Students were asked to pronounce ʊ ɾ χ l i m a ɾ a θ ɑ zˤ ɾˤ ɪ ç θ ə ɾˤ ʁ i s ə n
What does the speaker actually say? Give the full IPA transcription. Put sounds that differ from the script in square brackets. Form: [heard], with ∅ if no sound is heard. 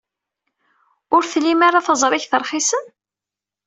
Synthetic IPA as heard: ʊ ɾ [θ] l i m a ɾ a θ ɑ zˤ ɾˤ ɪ ç θ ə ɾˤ [χ] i s ə n